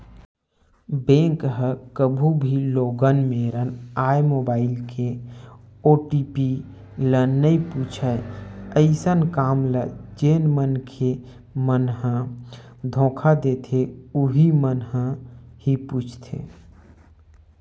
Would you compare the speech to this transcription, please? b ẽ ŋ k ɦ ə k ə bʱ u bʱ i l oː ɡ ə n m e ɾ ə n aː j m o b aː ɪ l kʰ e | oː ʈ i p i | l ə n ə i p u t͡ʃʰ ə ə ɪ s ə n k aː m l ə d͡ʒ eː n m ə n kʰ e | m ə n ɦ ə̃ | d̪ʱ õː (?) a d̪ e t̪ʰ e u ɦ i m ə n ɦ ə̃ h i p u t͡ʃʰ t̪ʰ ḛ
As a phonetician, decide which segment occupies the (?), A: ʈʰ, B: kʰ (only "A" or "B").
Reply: B